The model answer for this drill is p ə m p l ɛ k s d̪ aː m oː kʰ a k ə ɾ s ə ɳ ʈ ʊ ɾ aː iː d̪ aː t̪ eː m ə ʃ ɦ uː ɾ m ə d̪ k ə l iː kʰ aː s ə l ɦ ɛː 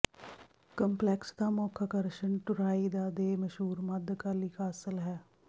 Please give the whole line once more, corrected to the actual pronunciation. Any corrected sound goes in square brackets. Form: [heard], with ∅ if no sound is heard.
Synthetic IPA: [k] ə m p l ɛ k s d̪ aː m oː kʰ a k ə ɾ [ʃ] ə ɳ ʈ ʊ ɾ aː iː d̪ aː [d̪] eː m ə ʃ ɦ uː ɾ m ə d̪ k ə l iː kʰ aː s ə l ɦ ɛː